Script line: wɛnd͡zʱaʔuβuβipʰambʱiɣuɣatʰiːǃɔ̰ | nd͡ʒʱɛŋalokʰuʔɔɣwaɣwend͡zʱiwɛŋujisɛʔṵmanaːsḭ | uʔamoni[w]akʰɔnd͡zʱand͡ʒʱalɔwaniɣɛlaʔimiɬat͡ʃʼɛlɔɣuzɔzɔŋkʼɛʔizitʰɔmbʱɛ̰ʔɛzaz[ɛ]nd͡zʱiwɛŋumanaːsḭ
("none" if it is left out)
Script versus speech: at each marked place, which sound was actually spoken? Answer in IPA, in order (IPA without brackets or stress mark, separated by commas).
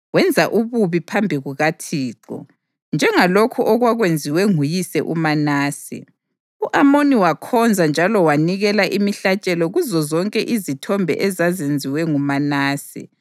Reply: w, e